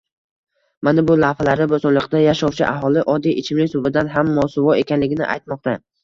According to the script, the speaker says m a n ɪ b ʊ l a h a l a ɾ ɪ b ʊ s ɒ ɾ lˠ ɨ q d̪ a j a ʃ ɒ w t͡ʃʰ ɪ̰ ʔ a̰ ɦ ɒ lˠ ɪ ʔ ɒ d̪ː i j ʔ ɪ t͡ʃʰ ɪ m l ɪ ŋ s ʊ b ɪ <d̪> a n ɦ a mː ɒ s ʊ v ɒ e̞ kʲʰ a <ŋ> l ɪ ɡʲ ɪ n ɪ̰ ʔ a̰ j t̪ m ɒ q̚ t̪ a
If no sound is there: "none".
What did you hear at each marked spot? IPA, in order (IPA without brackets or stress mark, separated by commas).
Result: d̪, n